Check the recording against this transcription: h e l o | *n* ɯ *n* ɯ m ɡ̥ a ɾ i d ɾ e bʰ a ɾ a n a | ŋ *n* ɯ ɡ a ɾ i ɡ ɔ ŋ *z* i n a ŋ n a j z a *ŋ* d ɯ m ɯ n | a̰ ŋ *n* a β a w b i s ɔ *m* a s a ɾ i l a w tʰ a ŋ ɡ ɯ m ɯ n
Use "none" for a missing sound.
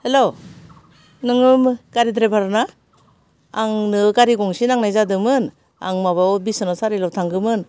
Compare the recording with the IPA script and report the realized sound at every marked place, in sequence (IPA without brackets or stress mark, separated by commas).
n, ŋ, n, s, none, m, n